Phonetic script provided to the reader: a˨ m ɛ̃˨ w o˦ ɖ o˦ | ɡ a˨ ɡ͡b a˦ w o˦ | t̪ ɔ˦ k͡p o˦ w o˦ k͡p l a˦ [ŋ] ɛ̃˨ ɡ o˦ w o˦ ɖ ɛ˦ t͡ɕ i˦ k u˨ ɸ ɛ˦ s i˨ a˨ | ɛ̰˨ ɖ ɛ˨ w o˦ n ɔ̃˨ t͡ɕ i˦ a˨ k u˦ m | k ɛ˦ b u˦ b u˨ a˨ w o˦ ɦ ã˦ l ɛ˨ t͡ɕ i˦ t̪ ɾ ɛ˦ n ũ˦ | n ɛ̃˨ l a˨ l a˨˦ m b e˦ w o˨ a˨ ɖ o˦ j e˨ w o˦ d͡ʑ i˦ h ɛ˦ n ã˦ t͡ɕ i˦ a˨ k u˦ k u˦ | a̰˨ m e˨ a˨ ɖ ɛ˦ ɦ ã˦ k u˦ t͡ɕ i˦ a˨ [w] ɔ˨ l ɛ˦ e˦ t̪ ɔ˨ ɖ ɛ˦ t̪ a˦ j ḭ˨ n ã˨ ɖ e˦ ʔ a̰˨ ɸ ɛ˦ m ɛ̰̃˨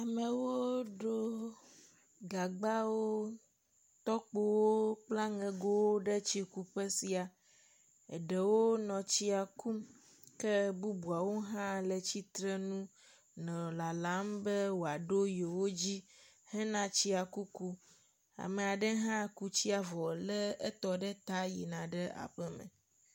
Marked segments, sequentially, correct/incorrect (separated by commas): correct, incorrect